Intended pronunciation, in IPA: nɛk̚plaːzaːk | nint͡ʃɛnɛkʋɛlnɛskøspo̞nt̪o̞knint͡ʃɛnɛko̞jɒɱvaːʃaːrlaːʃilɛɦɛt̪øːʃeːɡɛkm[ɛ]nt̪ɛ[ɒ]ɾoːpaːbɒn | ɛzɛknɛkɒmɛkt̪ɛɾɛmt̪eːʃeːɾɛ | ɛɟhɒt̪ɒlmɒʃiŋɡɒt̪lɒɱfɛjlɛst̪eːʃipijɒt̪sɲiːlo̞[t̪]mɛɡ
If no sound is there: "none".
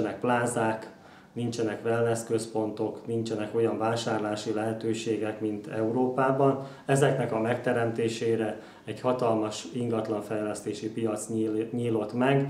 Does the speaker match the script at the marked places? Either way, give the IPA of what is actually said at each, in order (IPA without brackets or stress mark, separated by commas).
i, u, t̪